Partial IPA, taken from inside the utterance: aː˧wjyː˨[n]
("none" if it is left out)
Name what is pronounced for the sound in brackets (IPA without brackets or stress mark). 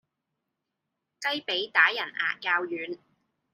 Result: n